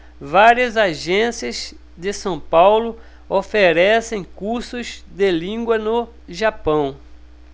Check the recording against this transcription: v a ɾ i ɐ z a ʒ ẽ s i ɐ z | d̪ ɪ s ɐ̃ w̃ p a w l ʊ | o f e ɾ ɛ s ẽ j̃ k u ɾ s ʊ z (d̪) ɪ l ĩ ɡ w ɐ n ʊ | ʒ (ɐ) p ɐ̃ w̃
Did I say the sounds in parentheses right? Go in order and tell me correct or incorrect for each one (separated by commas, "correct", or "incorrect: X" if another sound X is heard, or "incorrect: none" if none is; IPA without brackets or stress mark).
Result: correct, incorrect: a